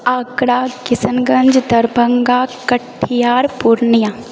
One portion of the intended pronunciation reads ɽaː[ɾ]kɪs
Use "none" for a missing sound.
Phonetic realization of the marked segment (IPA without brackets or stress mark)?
none